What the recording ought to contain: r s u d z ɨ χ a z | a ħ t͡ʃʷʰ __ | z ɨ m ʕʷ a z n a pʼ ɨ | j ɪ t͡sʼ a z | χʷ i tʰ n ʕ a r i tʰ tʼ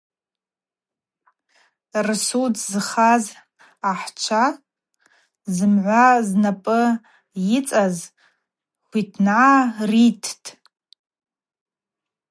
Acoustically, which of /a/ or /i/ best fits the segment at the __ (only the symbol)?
a